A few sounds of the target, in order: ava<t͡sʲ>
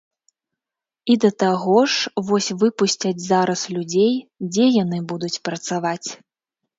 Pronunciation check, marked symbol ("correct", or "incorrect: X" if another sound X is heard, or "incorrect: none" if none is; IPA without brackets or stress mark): correct